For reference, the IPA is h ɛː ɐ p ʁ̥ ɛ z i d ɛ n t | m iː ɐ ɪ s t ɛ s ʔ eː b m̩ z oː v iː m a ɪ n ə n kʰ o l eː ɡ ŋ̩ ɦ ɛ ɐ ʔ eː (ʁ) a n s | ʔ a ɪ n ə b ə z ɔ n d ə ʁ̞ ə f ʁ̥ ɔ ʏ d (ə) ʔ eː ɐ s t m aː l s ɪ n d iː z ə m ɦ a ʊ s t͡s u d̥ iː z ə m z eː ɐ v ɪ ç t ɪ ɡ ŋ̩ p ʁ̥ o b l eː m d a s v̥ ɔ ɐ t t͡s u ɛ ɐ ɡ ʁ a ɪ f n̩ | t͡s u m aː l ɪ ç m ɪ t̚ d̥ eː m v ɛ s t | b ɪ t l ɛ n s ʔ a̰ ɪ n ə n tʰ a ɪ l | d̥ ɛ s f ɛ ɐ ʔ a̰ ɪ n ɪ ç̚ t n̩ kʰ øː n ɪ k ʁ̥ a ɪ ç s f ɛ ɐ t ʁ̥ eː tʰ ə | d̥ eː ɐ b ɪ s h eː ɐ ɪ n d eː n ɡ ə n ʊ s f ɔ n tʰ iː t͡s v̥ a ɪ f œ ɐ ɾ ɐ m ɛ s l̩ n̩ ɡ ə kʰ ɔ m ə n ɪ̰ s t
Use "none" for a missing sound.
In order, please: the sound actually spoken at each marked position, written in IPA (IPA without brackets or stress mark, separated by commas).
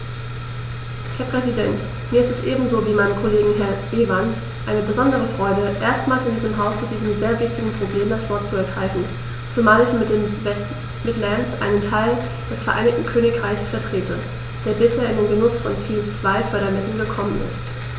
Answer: v, ə